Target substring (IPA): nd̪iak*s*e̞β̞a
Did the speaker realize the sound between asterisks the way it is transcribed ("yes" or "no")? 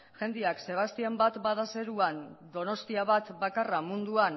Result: yes